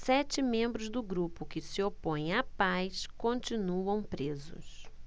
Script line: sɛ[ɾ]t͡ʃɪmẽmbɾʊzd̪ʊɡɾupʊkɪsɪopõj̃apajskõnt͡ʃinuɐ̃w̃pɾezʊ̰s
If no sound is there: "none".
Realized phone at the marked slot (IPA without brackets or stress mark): none